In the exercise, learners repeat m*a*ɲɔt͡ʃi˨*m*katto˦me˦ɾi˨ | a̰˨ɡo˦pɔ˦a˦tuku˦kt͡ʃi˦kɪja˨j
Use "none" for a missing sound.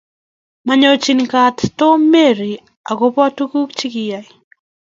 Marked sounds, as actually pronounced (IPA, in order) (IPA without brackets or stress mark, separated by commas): a, n